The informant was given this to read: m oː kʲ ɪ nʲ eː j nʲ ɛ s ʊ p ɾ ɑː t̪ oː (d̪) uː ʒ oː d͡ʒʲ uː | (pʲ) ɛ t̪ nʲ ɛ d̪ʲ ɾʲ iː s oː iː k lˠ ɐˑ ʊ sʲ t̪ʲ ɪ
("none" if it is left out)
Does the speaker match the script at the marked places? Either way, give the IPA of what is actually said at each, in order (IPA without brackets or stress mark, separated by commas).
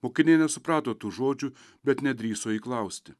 t̪, bʲ